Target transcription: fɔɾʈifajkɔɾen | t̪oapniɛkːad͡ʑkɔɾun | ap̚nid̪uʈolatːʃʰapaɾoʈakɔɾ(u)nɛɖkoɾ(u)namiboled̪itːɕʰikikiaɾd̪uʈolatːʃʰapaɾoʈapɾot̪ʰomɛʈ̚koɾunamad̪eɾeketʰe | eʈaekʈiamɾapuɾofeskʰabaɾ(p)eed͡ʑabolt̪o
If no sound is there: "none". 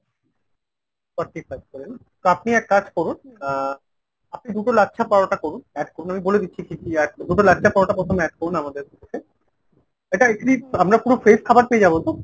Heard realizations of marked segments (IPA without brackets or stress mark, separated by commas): u, u, p